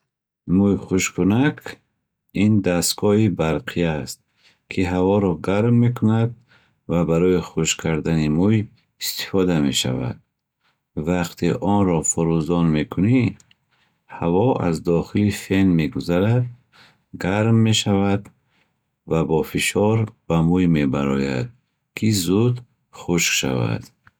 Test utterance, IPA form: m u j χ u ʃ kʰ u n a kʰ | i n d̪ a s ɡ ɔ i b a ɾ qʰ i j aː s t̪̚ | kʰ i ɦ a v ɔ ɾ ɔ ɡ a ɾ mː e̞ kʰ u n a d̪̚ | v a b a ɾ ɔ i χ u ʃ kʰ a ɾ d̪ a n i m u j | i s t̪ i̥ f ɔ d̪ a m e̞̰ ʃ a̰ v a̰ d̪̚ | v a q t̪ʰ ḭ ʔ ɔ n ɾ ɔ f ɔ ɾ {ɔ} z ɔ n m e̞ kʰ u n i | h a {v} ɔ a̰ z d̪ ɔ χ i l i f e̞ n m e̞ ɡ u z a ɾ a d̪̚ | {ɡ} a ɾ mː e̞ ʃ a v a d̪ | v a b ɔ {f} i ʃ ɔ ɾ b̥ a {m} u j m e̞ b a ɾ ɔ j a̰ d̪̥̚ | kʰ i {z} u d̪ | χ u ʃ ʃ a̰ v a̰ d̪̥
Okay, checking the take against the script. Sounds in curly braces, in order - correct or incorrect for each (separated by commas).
incorrect, correct, correct, correct, correct, correct